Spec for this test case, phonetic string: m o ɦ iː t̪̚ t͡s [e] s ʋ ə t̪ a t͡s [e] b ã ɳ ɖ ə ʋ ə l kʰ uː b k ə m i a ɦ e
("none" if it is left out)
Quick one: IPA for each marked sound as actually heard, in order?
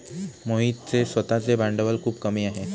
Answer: e, e

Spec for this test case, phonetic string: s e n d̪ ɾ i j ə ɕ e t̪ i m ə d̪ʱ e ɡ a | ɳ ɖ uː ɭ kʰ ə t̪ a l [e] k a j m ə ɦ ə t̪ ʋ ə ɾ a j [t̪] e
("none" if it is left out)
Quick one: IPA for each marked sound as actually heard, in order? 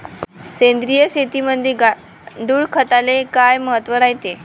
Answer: e, t̪

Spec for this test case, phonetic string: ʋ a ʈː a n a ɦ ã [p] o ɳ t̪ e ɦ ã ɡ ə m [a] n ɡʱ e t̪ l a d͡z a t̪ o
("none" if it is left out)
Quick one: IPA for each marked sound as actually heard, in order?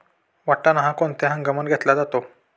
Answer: k, ə

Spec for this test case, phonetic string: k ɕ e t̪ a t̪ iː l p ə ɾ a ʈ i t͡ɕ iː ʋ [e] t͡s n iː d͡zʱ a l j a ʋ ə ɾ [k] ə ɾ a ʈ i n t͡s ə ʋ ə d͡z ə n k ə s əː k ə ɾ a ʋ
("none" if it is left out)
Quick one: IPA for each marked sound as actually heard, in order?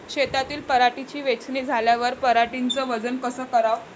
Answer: e, p

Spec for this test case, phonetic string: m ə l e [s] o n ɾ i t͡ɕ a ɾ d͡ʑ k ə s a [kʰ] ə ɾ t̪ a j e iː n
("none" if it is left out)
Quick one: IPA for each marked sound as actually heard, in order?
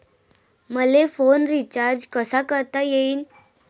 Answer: f, k

